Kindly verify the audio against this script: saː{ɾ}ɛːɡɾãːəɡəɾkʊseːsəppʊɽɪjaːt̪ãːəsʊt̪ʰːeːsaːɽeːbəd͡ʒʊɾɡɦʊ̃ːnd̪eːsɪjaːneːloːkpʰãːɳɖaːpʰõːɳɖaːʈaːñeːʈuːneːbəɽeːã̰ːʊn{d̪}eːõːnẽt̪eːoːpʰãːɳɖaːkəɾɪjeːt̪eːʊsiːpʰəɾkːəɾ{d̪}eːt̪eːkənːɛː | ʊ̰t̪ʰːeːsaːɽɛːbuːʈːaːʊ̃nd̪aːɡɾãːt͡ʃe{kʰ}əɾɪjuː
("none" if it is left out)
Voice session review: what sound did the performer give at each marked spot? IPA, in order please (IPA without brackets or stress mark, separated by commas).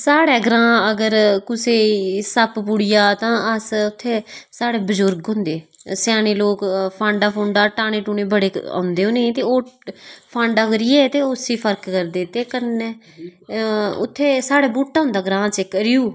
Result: ɽ, d̪, d̪, k